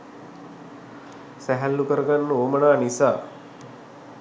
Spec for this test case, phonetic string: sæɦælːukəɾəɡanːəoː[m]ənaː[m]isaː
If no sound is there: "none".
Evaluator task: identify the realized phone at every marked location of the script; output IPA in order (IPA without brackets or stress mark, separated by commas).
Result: m, n